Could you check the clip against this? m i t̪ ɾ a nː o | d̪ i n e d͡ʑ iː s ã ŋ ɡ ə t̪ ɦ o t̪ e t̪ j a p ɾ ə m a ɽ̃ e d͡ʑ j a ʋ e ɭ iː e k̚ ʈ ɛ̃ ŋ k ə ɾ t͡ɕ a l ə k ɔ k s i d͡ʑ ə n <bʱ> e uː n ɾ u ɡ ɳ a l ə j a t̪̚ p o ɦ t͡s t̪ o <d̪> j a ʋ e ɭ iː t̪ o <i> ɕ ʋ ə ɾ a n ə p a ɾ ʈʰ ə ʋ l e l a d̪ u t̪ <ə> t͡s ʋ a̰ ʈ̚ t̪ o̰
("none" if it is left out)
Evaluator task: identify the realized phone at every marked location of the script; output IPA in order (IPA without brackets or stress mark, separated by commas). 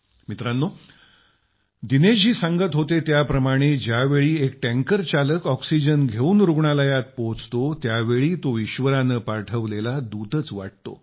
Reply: ɡʱ, t̪, i, ə